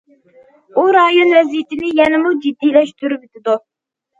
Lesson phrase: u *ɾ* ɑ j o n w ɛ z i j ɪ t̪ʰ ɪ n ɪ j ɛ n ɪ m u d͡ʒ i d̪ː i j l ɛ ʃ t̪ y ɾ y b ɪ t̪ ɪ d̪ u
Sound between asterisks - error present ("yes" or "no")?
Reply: no